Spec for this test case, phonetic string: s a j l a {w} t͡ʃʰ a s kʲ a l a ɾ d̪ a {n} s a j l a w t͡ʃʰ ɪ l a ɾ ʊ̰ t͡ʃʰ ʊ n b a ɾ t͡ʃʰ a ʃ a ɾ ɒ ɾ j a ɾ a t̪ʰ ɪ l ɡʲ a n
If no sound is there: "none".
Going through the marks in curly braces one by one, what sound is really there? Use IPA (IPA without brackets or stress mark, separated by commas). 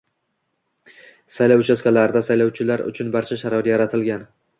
w, none